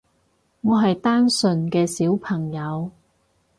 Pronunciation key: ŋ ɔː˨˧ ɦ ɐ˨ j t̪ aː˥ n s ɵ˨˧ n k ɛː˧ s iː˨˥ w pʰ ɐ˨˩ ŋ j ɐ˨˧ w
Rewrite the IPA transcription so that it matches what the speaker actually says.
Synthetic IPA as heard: ŋ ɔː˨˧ ɦ ɐ˨ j t̪ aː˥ n s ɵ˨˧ n k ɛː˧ s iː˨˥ w pʰ ɐ˨˩ ŋ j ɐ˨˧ w

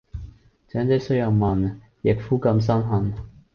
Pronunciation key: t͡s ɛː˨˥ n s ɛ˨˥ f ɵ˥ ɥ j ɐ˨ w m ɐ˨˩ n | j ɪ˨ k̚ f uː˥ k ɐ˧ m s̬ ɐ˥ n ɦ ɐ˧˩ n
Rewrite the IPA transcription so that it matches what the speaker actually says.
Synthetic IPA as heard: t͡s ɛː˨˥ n t͡s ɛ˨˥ s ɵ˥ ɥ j ɐ˨ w m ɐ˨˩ n | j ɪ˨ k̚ f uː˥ k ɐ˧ m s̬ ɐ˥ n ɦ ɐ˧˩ n

